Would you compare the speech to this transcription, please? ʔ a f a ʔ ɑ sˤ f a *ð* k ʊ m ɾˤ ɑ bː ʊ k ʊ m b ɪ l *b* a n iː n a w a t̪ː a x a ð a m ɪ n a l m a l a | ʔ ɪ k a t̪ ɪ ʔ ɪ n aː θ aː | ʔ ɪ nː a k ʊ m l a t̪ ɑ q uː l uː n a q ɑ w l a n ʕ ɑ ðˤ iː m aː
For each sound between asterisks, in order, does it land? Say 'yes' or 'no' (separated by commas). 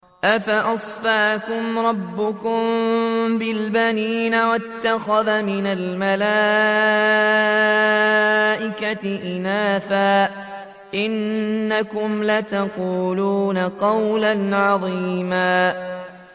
no, yes